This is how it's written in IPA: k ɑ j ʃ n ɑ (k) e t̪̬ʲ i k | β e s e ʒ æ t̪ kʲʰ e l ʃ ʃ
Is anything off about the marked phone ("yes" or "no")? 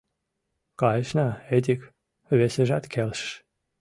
yes